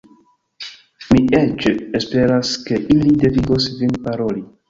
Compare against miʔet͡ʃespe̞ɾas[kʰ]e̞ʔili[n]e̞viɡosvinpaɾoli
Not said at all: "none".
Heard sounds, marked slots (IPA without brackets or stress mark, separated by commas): k, d